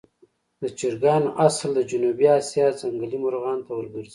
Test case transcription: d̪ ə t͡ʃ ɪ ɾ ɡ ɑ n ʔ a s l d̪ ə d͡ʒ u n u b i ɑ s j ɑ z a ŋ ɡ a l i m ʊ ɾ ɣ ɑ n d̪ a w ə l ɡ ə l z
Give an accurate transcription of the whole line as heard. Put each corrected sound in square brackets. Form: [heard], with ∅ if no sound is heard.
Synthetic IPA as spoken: d̪ ə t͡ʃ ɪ ɾ ɡ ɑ n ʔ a s l d̪ ə d͡ʒ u n u b i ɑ s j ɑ z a ŋ ɡ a l i m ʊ ɾ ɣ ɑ n [t̪] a w ə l ɡ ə [ɾ] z